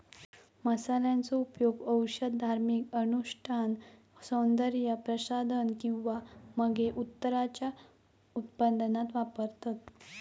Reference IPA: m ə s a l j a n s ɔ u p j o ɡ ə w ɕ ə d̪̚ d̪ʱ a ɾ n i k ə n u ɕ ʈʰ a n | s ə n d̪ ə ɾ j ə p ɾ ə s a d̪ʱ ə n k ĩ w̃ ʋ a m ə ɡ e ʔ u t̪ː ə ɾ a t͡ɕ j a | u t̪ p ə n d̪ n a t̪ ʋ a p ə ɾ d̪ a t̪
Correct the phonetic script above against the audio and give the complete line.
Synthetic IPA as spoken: m ə s a l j a n t͡s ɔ u p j o ɡ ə w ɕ ə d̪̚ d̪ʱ a ɾ m i k ə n u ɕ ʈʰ a n | s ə n d̪ ə ɾ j ə p ɾ ə s a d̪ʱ ə n k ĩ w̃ ʋ a m ə ɡ e ʔ u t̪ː ə ɾ a t͡ɕ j a | u t̪ p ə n d̪ n a t̪ ʋ a p ə ɾ t̪ a t̪